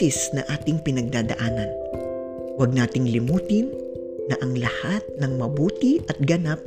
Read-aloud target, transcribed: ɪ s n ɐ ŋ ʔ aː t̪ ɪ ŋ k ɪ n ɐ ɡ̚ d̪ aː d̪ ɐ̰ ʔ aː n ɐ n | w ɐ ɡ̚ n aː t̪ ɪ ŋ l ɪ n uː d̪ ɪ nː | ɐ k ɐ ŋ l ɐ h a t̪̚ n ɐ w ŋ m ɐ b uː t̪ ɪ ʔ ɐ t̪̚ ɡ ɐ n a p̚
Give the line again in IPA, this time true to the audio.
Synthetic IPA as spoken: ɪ s n ɐ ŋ ʔ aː t̪ ɪ ŋ p ɪ n ɐ ɡ̚ d̪ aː d̪ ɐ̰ ʔ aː n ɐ n | w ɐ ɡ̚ n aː t̪ ɪ ŋ l ɪ m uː t̪ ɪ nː | ɐ ʔ ɐ ŋ l ɐ h a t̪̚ n ɐ ŋ m ɐ b uː t̪ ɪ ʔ ɐ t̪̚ ɡ ɐ n a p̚